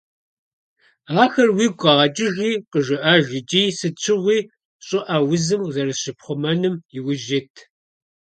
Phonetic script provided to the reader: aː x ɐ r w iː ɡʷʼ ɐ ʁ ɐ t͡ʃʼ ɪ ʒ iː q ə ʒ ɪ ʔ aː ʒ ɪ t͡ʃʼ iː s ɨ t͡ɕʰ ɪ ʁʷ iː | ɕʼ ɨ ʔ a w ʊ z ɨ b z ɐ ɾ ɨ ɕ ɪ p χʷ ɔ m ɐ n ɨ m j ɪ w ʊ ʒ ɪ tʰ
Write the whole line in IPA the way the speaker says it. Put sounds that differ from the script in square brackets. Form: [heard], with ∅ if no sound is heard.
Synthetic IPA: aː x ɐ r w iː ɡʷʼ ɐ ʁ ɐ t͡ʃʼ ɪ ʒ iː q ə ʒ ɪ ʔ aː ʒ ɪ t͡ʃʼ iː s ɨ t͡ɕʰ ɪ ʁʷ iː | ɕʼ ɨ ʔ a w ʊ z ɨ [m] z ɐ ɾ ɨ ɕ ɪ p χʷ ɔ m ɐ n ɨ m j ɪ w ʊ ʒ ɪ tʰ